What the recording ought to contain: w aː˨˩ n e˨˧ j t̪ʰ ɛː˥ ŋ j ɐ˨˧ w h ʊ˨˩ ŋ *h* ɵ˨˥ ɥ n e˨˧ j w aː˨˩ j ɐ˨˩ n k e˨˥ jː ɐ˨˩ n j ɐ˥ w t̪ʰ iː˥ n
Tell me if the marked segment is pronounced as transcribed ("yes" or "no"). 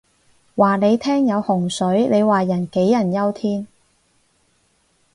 no